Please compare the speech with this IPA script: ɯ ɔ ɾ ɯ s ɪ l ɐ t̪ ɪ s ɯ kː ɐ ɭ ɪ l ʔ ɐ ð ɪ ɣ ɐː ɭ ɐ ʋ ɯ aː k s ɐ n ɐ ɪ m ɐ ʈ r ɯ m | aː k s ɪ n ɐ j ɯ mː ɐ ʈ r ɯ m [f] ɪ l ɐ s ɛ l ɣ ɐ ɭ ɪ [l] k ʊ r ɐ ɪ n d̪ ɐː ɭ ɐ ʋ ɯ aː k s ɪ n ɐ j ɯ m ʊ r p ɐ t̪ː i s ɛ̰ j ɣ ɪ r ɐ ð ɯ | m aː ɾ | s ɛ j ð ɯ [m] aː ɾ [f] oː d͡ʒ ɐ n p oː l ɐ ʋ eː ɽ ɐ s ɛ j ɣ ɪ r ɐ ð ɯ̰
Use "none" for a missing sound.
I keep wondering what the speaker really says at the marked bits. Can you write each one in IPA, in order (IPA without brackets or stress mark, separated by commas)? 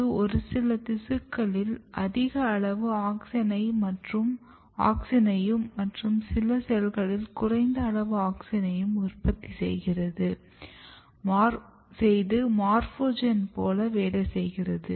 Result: s, l, m, f